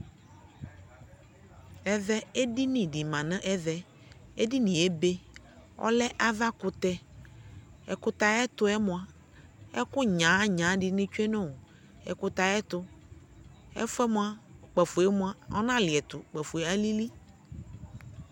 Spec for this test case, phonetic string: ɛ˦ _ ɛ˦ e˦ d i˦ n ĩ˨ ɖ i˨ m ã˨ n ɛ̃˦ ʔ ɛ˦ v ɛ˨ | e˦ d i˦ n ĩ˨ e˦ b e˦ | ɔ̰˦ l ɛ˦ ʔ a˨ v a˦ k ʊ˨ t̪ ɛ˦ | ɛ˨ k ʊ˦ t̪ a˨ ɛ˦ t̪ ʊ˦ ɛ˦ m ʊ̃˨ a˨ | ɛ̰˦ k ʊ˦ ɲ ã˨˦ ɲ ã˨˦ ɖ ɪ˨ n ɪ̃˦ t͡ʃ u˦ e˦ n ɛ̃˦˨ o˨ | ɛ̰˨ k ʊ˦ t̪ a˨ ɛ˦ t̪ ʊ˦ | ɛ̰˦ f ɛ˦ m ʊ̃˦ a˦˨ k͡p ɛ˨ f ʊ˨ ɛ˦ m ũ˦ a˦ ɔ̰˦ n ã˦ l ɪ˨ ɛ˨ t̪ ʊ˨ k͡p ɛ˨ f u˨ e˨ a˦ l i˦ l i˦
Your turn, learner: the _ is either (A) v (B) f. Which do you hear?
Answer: A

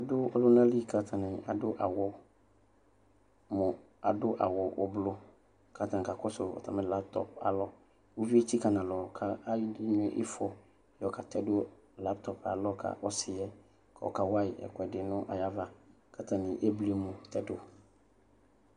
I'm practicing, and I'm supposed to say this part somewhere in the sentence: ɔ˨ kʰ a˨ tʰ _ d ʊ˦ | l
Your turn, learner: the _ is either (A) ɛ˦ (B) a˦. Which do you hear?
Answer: A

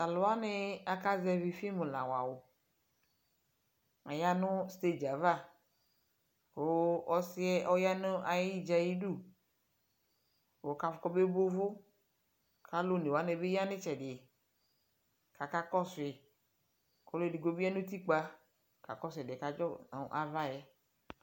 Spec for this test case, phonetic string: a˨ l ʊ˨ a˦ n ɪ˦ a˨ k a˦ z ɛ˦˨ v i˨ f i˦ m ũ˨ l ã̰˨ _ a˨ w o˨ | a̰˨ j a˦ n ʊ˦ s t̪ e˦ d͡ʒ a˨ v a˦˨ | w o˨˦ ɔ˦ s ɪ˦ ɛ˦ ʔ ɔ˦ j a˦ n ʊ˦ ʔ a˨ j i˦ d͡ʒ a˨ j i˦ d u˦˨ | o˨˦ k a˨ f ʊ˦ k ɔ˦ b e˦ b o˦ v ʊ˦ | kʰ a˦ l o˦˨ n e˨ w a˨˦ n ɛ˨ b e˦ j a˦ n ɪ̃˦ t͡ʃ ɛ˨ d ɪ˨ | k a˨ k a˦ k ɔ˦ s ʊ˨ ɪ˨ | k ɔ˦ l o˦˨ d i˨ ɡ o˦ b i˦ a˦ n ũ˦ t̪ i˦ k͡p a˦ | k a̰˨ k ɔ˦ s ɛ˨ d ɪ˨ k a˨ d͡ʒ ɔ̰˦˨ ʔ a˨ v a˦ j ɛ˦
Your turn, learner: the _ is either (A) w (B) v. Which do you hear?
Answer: A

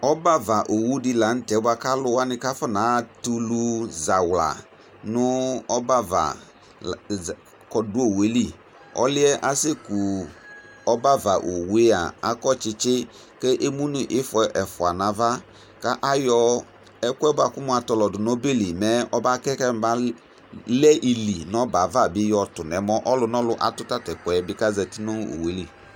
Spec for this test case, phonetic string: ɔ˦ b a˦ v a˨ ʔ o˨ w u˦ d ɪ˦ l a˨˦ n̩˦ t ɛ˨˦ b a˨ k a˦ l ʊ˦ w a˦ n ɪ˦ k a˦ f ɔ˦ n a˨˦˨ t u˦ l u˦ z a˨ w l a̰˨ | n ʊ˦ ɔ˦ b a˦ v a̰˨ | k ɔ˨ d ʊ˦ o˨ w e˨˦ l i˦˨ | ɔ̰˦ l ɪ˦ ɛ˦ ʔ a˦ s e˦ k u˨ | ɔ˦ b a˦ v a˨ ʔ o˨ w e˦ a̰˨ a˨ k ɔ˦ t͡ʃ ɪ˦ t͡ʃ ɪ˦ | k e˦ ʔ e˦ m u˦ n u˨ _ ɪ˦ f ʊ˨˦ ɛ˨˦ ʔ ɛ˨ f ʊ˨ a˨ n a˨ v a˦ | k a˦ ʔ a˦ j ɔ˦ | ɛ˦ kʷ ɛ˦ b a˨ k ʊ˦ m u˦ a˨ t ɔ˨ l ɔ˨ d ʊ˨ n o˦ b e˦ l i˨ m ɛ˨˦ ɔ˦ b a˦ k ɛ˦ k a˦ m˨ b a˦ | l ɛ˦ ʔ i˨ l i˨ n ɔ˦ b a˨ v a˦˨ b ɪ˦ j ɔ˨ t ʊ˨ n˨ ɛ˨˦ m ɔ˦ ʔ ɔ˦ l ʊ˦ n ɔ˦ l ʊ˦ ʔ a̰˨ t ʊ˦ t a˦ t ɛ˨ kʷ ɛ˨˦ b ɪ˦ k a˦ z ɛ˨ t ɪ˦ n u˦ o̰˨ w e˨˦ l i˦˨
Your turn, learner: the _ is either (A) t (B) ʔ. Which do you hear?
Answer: B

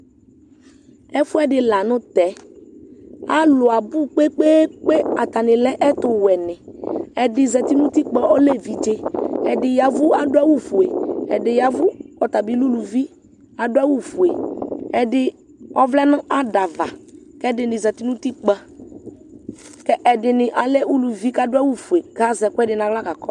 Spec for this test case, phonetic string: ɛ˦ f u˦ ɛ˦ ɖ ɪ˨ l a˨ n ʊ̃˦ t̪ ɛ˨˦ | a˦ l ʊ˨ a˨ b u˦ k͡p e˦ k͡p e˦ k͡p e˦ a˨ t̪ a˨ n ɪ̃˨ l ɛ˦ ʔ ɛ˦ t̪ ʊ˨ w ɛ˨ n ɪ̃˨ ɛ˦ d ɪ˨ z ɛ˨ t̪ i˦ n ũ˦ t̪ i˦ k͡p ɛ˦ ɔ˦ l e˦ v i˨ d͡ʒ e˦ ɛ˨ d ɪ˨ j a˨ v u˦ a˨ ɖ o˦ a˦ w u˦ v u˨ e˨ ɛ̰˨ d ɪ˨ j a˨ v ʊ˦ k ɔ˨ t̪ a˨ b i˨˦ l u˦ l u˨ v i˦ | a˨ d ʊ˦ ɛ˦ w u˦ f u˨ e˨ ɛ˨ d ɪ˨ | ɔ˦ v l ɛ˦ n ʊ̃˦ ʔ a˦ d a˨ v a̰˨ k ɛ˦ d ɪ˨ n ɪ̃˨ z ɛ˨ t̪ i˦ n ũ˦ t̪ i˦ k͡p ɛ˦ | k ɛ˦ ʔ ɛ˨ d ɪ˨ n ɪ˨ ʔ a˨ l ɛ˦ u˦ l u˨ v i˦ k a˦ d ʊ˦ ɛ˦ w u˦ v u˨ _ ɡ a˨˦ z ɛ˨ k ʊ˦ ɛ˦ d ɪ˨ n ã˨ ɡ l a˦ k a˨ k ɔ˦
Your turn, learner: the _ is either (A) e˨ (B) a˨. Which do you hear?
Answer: A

